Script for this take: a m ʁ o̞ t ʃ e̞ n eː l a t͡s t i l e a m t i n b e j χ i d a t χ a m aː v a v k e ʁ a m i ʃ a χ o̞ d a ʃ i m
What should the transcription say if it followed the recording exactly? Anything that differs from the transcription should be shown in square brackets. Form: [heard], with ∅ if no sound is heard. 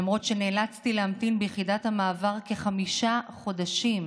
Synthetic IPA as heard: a m ʁ o̞ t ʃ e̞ n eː l a t͡s t i l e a m t i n b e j χ i d a t [h] a m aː v a [ʁ] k e [χ] a m i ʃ a χ o̞ d a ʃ i m